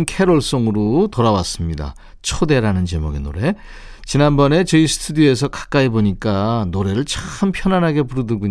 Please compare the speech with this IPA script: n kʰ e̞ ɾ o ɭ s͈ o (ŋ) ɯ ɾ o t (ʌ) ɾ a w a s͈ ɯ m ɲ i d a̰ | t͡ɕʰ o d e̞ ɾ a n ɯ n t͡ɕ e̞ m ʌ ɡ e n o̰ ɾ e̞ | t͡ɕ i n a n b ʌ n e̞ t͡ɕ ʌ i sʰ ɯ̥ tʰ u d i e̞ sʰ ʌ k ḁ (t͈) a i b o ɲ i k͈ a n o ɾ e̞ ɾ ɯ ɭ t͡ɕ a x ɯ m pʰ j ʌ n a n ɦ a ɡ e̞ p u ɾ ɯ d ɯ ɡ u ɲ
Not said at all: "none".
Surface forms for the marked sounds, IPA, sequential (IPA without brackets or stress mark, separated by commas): ŋ, ʌ, k͈